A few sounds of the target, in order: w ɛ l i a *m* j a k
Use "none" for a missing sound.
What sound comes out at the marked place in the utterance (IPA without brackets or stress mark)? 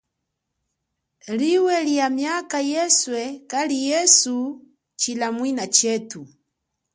m